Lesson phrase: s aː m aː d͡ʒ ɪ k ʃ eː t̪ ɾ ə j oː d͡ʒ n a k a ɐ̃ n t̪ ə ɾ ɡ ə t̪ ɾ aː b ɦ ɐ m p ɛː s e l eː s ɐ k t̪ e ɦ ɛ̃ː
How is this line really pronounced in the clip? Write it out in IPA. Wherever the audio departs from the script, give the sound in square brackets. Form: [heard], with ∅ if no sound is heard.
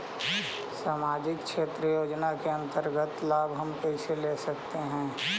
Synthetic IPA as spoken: s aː m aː d͡ʒ ɪ k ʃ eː t̪ ɾ ə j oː d͡ʒ n a k [e] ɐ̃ n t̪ ə ɾ ɡ ə t̪ [l] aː b ɦ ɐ m p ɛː s e l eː s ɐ k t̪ e ɦ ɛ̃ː